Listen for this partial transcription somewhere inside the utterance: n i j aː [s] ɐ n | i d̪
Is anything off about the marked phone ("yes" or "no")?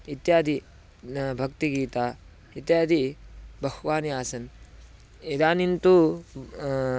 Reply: no